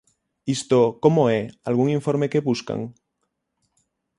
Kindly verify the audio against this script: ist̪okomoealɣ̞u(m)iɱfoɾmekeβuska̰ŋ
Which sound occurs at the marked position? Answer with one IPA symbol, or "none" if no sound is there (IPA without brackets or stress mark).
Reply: ŋ